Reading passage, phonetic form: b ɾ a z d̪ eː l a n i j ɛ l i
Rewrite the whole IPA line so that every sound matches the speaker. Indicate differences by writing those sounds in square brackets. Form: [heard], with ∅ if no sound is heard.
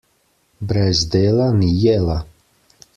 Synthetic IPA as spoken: b ɾ [ɛ] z d̪ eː l a n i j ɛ l [a]